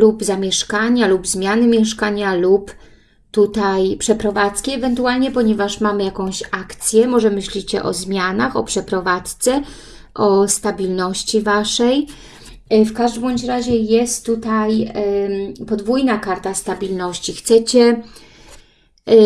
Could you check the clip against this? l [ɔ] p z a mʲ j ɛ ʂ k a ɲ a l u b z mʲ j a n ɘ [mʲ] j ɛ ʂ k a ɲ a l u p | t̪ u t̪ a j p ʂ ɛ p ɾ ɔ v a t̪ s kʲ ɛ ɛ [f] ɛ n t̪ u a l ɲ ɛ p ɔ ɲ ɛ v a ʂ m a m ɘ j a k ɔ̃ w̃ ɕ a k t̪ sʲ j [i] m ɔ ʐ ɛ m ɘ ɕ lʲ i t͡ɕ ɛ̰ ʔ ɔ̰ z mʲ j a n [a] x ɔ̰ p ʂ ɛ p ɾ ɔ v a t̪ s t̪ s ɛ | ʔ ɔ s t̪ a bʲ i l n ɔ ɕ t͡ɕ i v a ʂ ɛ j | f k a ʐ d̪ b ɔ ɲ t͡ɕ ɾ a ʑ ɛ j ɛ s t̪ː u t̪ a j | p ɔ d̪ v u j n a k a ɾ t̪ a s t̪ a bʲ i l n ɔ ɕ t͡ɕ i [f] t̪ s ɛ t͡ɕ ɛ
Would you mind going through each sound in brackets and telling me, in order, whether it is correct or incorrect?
incorrect: u, correct, incorrect: v, incorrect: ɛ, correct, incorrect: x

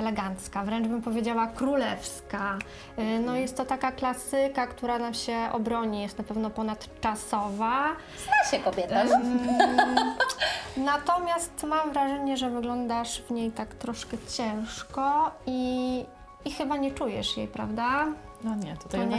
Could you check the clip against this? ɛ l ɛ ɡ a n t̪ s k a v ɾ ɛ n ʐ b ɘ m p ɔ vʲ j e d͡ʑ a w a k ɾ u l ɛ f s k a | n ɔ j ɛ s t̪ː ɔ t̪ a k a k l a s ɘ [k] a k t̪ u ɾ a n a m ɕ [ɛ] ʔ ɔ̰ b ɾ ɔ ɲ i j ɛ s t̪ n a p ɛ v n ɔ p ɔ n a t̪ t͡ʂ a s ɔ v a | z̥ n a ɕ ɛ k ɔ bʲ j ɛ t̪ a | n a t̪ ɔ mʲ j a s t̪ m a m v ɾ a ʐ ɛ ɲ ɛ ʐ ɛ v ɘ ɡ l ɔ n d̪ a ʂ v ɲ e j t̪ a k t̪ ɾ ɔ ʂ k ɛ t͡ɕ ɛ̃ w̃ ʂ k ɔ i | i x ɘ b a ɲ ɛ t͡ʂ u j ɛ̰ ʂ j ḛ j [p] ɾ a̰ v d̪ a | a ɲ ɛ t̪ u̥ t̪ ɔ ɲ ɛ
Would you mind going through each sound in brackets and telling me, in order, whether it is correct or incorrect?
correct, correct, correct

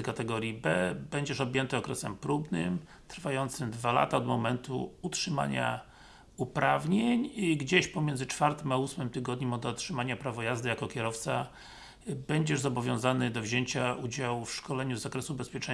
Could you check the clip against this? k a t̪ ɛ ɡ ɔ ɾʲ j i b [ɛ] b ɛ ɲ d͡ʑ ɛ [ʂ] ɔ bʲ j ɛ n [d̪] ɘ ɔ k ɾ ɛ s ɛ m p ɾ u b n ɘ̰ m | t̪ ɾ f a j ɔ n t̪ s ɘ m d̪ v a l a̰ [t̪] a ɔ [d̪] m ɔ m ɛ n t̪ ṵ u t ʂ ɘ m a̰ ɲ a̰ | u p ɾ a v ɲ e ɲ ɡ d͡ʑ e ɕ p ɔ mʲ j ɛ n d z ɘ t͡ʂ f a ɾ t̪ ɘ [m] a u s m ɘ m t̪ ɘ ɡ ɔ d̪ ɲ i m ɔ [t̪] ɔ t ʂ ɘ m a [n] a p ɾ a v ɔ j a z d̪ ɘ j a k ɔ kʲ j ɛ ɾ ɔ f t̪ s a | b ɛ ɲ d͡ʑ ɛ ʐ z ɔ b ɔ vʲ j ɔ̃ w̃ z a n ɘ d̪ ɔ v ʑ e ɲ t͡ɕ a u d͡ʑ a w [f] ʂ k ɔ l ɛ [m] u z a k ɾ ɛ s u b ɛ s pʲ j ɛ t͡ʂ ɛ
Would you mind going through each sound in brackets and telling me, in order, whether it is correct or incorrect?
correct, correct, incorrect: t̪, correct, correct, correct, incorrect: d̪, incorrect: ɲ, correct, incorrect: ɲ

